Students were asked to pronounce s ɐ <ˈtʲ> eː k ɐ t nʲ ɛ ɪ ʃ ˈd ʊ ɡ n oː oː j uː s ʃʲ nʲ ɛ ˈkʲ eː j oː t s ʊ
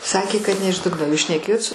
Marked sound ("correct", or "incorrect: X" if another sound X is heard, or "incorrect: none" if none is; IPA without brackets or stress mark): incorrect: kʲ